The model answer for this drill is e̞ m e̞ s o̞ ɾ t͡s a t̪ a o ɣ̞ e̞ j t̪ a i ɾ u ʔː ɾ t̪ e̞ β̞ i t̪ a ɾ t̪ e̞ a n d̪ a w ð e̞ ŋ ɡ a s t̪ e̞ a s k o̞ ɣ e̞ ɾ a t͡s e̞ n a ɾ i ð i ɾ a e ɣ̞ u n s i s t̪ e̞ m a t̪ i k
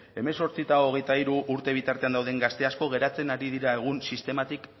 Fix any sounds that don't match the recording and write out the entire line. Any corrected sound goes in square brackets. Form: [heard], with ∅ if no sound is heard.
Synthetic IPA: e̞ m e̞ s o̞ ɾ t͡s [i] t̪ a o ɣ̞ e̞ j t̪ a i ɾ u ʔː ɾ t̪ e̞ β̞ i t̪ a ɾ t̪ e̞ a n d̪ a w ð e̞ ŋ ɡ a s t̪ e̞ a s k o̞ ɣ e̞ ɾ a t͡s e̞ n a ɾ i ð i ɾ a e ɣ̞ u n s i s t̪ e̞ m a t̪ i k